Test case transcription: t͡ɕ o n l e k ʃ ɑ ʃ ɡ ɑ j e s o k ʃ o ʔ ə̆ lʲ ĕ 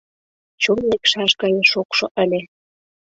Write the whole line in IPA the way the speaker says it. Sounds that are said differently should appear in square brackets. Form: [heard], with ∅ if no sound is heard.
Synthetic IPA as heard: t͡ɕ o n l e k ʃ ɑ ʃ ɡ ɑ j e [ʃ] o k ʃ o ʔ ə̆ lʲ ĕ